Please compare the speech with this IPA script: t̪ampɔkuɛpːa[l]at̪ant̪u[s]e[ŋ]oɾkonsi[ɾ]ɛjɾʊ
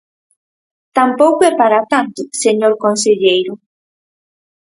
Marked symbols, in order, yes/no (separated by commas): no, yes, no, no